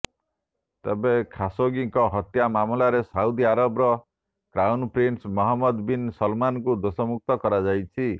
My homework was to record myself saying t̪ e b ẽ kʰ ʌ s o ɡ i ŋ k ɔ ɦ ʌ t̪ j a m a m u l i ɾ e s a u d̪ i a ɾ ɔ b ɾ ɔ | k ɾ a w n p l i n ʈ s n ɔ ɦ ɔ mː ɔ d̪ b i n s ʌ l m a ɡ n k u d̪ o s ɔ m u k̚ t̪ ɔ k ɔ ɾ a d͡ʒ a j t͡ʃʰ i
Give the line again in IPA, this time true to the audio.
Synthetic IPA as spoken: t̪ e b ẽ kʰ a s o ɡ i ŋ k ɔ ɦ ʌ t̪ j a m a m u l a ɾ e s a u d̪ i a ɾ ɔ b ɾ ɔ | k ɾ a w n p ɾ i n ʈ s m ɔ ɦ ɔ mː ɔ d̪ b i n s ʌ l m a n k u d̪ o s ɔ m u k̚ t̪ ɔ k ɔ ɾ a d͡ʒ a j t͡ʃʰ i